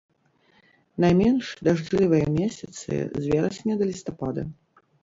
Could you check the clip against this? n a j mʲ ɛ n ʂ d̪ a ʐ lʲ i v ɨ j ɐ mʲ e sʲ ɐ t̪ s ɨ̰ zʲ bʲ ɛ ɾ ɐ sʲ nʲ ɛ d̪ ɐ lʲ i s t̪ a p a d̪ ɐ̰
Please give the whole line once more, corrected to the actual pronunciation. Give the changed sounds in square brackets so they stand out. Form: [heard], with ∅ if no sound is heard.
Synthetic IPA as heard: n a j mʲ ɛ n ʂ d̪ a ʐ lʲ i v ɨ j ɐ mʲ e sʲ ɐ t̪ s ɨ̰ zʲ [vʲ] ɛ ɾ ɐ sʲ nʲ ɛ d̪ ɐ lʲ i s t̪ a p a d̪ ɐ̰